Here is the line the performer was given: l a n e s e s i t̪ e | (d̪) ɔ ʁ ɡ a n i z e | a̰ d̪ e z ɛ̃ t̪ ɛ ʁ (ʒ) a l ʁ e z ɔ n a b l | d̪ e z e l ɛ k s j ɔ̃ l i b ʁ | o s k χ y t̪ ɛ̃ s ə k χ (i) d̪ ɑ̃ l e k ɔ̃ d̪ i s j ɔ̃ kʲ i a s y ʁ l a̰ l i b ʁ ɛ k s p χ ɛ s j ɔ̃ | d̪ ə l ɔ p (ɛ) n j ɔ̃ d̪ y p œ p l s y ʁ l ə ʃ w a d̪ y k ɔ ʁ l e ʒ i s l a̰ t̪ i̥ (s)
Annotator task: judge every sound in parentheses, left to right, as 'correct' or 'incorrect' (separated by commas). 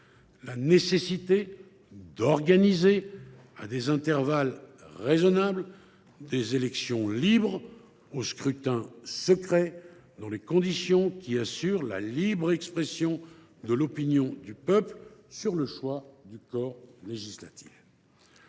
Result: correct, incorrect, incorrect, incorrect, incorrect